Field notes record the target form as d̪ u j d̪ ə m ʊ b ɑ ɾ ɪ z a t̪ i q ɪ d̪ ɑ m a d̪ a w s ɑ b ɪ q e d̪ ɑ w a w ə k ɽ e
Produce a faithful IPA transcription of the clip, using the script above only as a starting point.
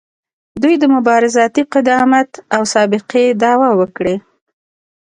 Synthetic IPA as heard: d̪ u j d̪ ə m ʊ b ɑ ɾ ɪ z ɑ t̪ i q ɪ d̪ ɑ m a t̪ a w s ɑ b ɪ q e d̪ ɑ w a w ə k ɽ e